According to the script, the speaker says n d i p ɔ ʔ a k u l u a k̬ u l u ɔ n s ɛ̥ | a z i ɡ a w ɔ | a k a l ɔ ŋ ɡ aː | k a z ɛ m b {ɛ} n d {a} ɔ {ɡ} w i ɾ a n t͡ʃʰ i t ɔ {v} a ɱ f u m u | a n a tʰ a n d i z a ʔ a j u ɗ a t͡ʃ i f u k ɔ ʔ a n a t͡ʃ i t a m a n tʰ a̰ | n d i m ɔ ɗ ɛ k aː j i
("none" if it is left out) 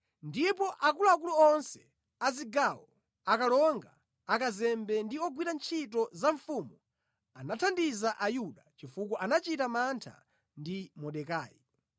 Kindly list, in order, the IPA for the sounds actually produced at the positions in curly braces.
ɛ, i, ɡ, z

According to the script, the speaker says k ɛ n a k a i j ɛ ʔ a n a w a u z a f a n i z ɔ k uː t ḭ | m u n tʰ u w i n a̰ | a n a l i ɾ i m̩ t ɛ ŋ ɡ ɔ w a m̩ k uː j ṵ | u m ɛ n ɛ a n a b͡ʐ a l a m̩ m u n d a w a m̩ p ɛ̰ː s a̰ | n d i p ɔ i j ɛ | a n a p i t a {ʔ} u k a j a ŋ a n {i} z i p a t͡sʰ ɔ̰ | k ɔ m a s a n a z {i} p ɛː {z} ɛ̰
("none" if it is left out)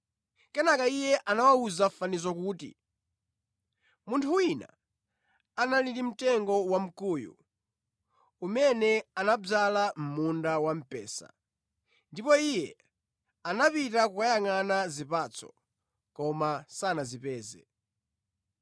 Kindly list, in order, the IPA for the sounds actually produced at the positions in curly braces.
k, a, i, z

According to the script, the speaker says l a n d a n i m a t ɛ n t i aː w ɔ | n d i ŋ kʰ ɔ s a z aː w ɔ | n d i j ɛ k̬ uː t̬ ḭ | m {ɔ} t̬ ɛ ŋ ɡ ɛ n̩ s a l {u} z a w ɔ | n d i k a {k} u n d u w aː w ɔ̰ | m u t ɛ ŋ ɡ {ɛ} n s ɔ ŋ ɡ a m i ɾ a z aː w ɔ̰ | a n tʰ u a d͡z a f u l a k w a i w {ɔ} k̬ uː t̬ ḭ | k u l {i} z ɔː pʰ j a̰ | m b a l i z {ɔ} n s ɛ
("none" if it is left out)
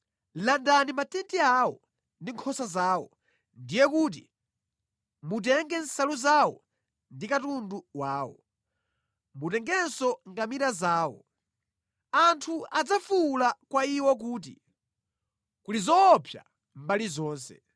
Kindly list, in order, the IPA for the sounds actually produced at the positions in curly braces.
u, u, t, ɛ, ɔ, i, ɔː

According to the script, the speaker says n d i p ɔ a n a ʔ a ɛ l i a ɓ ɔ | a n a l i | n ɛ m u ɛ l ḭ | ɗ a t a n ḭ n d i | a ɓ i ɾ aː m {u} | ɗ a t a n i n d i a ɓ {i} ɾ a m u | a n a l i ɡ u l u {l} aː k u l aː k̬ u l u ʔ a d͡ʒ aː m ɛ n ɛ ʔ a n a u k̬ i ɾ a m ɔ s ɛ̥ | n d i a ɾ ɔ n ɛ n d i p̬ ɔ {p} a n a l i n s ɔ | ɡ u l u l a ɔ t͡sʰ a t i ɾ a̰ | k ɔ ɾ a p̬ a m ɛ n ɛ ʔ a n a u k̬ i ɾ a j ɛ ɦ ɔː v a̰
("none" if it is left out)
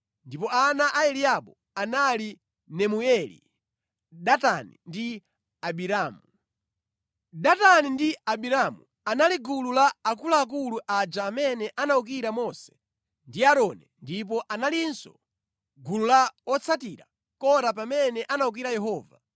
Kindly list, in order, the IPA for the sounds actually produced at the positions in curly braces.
u, i, l, ʔ

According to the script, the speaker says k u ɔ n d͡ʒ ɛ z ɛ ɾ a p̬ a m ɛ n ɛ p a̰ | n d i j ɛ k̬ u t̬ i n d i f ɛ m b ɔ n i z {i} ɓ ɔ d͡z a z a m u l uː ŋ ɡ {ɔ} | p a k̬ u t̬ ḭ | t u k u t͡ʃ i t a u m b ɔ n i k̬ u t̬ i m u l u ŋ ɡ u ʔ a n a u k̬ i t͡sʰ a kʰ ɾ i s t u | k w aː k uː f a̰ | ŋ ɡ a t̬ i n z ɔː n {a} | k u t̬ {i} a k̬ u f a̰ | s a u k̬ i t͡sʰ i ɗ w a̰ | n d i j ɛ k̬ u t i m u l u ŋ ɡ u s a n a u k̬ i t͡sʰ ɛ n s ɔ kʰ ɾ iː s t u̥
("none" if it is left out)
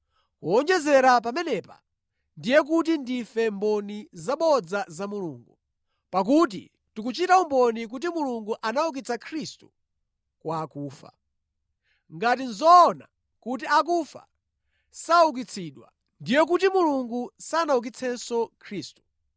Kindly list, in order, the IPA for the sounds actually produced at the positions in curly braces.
a, u, a, i

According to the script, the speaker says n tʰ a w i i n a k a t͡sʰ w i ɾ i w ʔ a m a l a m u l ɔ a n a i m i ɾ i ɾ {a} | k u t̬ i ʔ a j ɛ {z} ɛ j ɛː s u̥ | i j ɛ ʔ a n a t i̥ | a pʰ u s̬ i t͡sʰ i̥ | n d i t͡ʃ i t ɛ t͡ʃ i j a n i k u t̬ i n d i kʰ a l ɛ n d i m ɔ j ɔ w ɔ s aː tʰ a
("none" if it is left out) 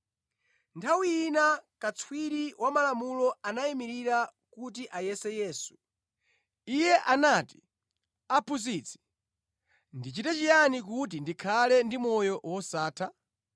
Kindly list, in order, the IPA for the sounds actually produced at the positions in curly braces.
a, s

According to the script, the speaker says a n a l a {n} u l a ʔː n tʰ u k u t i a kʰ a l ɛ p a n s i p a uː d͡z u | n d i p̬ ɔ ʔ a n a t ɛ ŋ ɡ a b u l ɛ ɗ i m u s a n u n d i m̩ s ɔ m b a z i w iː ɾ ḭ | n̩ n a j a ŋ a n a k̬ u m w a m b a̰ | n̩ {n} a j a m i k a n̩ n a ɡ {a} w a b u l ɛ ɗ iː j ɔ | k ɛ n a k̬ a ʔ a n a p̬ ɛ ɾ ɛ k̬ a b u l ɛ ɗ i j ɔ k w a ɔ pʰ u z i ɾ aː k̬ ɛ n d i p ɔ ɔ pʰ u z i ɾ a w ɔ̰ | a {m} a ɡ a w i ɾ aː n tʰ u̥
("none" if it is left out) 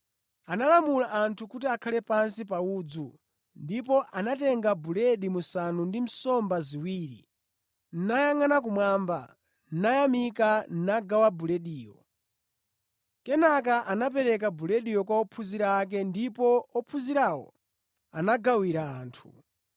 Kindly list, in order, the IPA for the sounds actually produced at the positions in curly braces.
m, n, a, n

